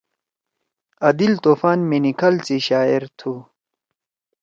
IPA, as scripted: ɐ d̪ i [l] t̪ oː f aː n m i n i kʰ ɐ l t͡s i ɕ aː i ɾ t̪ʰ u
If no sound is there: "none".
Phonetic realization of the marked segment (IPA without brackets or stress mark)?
l